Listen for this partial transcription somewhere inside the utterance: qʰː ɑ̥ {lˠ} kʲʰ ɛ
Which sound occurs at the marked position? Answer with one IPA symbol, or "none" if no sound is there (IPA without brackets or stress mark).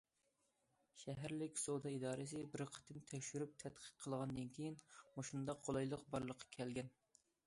none